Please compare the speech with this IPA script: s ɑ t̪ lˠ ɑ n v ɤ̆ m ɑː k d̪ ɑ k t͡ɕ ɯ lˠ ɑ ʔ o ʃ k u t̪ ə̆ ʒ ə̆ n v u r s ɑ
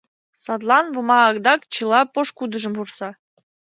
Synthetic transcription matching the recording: s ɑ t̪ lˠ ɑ n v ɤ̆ m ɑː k d̪ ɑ k t͡ɕ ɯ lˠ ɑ p o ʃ k u d̪ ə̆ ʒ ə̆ m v u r s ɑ